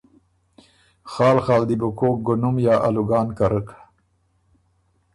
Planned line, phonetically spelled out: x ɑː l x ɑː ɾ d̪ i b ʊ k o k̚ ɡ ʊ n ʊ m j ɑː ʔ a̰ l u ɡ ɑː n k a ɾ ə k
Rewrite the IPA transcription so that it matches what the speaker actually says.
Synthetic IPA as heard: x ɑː l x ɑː l d̪ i b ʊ k o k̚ ɡ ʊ n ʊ m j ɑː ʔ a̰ l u ɡ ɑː n k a ɾ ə k

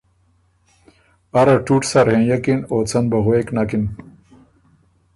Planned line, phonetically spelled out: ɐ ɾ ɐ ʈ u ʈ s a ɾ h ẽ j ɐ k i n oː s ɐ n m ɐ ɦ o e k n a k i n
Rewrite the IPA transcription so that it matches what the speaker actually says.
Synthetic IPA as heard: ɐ ɾ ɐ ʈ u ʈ s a ɾ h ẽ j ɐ k i n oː t͡s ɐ n b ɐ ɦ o e k n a k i n

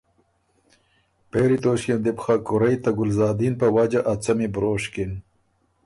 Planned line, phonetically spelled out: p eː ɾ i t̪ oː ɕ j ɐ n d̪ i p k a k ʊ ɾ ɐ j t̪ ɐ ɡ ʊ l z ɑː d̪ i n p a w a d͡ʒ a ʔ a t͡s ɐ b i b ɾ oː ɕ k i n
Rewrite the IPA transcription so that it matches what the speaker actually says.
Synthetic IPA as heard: p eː ɾ i t̪ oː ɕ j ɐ n d̪ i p x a k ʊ ɾ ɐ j t̪ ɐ ɡ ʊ l z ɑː d̪ i n p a w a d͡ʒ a ʔ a t͡s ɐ m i b ɾ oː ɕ k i n

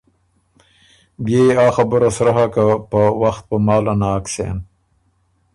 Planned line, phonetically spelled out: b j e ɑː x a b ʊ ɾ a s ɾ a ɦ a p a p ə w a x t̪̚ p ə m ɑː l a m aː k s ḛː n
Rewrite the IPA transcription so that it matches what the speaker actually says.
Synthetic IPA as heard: b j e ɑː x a b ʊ ɾ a s ɾ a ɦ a k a p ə w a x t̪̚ p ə m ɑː l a n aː k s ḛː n

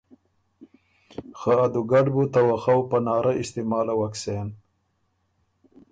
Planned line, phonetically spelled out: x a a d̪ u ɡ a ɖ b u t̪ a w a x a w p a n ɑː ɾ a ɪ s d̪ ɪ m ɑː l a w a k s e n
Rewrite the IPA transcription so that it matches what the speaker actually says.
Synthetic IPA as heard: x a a d̪ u ɡ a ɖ b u t̪ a w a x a w p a n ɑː ɾ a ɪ s t̪ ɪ m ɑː l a w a k s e n

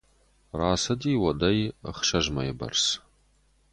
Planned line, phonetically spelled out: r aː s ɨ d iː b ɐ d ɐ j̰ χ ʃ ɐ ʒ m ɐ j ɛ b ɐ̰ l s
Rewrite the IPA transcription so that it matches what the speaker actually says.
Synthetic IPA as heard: r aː s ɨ d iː w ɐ d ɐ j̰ χ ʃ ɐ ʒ m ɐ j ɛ b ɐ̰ r s

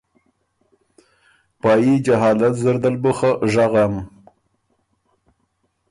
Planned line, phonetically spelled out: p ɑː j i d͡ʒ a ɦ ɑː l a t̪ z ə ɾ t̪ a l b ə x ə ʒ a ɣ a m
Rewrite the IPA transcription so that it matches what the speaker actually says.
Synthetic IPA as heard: p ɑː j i d͡ʒ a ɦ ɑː l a t̪ z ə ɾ d̪ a l b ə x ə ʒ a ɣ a m

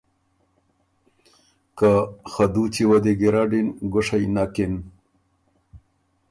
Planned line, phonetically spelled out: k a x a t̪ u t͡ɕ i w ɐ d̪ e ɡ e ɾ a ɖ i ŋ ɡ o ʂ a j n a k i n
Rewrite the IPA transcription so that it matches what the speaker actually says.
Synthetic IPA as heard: k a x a d̪ u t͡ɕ i w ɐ d̪ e ɡ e ɾ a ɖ i n ɡ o ʂ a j n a k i n

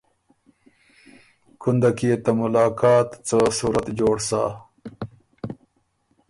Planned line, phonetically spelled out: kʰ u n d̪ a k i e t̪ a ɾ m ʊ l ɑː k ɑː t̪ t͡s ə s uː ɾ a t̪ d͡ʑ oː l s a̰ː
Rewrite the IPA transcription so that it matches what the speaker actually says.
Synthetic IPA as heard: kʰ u n d̪ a k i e t̪ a m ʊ l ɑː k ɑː t̪ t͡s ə s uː ɾ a t̪ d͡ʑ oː ɽ s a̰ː

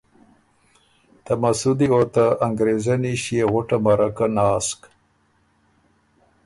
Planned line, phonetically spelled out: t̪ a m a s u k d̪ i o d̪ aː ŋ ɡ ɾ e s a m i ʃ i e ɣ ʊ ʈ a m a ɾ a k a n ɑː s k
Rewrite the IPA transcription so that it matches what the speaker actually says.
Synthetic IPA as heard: t̪ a m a s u d̪ i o t̪ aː ŋ ɡ ɾ e z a n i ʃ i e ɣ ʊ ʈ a m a ɾ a k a n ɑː s k

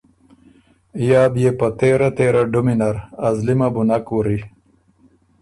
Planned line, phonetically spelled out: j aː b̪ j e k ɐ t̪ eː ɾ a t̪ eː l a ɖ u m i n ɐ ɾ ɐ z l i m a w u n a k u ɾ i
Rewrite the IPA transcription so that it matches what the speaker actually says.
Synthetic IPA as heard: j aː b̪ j e p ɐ t̪ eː ɾ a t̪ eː ɾ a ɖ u m i n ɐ ɾ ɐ z l i m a b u n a k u ɾ i

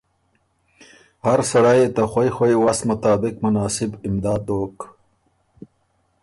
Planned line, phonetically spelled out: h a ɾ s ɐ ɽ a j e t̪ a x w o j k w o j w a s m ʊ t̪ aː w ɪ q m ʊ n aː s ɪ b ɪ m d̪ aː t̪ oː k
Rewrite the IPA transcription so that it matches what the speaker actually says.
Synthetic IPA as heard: h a ɾ s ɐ ɽ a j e t̪ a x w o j x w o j w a s m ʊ t̪ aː b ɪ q m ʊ n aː s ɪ b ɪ m d̪ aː d̪ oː k

